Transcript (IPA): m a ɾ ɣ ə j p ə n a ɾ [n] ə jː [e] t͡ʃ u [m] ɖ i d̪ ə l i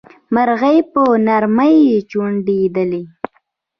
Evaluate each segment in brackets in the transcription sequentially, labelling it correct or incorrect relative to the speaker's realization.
incorrect, correct, incorrect

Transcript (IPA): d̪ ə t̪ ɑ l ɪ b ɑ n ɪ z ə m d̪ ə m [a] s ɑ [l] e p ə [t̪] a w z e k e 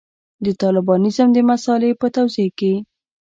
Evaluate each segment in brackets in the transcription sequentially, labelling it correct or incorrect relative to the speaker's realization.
correct, correct, correct

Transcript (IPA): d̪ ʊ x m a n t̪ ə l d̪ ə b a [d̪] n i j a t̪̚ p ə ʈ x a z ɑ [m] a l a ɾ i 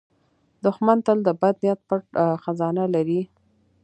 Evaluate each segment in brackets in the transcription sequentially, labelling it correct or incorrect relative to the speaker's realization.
correct, incorrect

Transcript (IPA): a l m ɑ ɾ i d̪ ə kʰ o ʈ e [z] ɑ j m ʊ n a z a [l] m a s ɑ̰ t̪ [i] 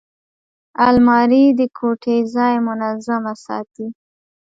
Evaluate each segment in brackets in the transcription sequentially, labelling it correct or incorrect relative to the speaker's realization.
correct, incorrect, correct

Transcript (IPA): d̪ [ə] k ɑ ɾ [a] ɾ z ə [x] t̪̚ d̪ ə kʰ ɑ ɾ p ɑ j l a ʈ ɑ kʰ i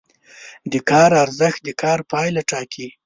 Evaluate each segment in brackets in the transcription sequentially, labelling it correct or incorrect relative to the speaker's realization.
correct, correct, correct

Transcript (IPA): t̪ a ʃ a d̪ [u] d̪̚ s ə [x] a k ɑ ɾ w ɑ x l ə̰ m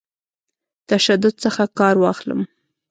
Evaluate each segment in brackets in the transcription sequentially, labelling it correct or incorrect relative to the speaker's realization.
incorrect, correct

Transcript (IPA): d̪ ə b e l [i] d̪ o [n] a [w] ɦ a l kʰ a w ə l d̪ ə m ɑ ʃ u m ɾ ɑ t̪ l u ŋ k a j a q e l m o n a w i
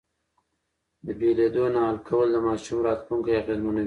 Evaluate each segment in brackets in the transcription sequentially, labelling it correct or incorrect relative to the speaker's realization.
incorrect, correct, incorrect

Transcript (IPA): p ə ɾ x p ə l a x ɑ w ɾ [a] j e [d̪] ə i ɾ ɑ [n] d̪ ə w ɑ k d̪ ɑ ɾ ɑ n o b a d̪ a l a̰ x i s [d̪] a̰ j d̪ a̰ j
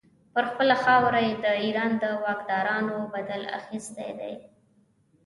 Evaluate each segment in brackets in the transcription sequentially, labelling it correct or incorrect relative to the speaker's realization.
correct, correct, correct, incorrect

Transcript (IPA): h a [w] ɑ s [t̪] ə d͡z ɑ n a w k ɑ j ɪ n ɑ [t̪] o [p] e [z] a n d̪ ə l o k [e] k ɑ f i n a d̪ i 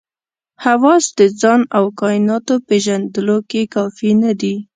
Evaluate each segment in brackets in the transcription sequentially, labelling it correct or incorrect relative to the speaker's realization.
correct, incorrect, correct, correct, incorrect, correct

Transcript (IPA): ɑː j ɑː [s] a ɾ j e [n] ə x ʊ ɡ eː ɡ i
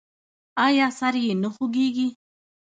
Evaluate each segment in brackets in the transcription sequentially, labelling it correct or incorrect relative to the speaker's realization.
correct, correct

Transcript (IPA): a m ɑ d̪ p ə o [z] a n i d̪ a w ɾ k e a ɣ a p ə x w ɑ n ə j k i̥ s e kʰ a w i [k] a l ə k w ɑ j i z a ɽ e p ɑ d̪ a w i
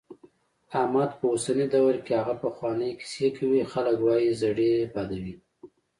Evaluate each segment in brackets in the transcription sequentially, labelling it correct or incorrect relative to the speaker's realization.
incorrect, incorrect

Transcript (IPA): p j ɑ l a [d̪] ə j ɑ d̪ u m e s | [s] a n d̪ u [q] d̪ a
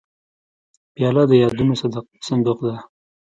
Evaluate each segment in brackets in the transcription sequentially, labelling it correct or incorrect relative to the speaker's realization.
correct, correct, correct

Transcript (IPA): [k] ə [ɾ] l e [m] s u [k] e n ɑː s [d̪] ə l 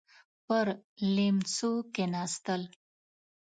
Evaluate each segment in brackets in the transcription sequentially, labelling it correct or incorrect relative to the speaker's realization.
incorrect, correct, correct, correct, incorrect

